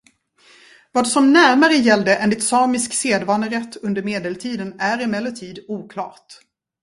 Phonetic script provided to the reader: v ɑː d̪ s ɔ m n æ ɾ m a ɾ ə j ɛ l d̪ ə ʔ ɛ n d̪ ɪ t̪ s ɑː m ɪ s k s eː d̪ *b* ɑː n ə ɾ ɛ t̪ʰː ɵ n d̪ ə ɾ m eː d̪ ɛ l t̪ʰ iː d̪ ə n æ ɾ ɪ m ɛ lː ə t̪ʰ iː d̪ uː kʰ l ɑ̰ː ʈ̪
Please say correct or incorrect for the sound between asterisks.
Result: incorrect